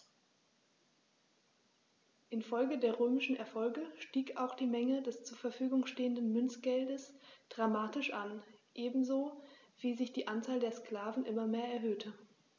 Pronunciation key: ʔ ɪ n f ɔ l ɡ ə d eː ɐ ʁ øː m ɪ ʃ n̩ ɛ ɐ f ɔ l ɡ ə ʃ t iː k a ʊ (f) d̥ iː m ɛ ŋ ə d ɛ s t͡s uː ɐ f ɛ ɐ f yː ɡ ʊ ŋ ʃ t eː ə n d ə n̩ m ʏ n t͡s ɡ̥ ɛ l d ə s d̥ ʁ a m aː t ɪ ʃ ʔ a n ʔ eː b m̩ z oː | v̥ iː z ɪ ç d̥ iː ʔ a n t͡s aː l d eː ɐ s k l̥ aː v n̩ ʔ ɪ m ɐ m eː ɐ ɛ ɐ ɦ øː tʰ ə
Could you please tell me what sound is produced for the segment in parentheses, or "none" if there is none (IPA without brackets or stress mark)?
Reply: x